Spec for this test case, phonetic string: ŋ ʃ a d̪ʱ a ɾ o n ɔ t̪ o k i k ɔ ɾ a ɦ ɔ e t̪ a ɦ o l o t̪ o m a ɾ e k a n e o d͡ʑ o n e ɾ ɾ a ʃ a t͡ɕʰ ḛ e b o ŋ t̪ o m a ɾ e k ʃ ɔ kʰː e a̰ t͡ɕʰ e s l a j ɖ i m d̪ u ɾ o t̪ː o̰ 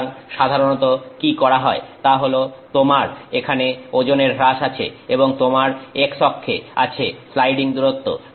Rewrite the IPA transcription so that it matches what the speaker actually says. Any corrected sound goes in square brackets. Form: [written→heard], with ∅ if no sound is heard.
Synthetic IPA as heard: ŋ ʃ a d̪ʱ a ɾ o n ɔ t̪ o k i k ɔ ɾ a ɦ ɔ e t̪ a ɦ o l o t̪ o m a ɾ e [k→kʰ] a n e o d͡ʑ o n e ɾ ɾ a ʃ a t͡ɕʰ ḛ e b o ŋ t̪ o m a ɾ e k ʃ ɔ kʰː e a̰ t͡ɕʰ e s l a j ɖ i [m→ŋ] d̪ u ɾ o t̪ː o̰